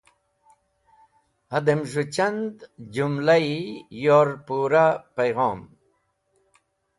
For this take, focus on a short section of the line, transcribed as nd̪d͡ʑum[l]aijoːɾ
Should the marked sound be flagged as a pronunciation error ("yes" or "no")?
no